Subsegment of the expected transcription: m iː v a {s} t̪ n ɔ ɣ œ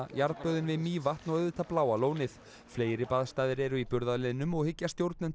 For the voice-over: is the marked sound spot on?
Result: no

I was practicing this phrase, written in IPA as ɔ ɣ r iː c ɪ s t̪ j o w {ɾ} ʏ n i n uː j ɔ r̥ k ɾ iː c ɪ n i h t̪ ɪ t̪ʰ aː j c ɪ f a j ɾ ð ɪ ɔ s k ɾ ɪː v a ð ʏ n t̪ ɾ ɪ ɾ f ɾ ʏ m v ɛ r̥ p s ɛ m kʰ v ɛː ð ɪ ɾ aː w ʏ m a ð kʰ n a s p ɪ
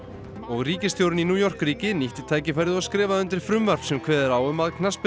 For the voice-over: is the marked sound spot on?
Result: yes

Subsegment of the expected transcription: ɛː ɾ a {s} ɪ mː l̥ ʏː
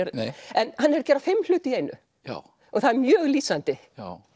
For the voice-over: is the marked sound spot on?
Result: no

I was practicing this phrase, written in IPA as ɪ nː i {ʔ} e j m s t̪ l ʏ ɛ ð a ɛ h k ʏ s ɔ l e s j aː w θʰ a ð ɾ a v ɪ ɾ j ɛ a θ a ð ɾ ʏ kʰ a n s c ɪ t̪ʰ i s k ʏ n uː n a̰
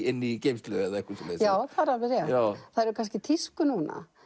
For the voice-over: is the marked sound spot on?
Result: no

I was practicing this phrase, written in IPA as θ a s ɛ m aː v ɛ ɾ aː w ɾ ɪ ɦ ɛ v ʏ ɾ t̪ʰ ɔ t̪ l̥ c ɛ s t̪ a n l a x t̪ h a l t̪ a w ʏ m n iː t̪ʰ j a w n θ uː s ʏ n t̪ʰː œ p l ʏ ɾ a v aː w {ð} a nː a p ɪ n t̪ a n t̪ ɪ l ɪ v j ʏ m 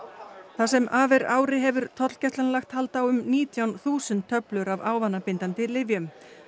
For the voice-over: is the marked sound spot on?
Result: no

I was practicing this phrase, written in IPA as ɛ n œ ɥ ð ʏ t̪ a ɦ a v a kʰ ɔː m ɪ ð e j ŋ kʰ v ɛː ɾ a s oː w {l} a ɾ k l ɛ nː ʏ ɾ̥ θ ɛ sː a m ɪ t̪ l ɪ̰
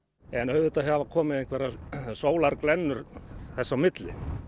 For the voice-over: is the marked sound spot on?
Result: yes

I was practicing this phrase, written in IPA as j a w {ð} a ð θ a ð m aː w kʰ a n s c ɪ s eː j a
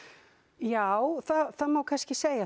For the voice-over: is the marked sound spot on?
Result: no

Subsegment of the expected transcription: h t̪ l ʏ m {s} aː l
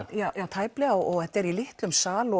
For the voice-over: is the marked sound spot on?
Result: yes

